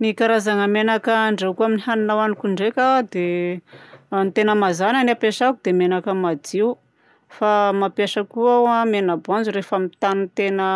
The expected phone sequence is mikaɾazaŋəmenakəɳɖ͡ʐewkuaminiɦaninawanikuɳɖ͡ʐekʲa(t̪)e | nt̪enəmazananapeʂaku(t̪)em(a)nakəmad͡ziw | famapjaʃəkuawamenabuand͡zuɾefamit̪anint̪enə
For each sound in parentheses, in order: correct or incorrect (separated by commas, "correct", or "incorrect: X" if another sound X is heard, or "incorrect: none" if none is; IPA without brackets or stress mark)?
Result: incorrect: d̪, incorrect: d̪, incorrect: e